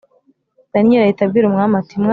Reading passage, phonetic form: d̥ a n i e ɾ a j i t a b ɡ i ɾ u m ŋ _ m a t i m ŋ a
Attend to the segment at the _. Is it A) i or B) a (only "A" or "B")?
B